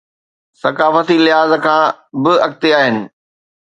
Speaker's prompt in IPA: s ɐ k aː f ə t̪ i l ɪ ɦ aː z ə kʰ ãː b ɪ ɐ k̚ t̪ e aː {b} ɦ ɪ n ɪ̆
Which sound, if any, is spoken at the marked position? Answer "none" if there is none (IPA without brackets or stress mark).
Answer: none